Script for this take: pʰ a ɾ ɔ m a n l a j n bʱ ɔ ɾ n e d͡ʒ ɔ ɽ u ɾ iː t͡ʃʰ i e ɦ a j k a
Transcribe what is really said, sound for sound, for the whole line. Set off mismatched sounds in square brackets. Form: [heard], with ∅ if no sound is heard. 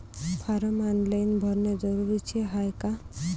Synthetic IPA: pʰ a ɾ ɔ m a n l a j n bʱ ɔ ɾ n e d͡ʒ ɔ [ɾ] u ɾ [i] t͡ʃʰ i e ɦ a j k a